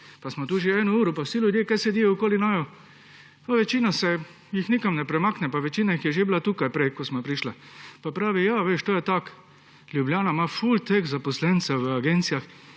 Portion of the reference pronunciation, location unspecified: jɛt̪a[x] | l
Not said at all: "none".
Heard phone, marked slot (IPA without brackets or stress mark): k